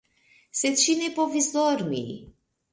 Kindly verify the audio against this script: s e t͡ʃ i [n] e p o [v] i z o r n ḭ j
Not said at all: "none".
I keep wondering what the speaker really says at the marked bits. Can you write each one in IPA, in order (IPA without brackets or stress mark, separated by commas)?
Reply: n, v